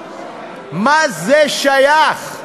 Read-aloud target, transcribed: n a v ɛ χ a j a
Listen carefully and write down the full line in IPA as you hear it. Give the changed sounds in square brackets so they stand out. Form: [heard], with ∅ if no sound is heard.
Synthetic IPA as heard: [m] a [z] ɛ [ʃ] a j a